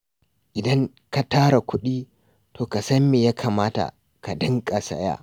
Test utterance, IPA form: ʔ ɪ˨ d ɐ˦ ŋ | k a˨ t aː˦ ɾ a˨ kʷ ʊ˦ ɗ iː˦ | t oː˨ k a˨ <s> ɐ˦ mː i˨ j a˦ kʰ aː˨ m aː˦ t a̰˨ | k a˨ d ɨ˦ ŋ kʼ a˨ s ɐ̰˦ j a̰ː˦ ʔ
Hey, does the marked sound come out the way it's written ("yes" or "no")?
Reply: yes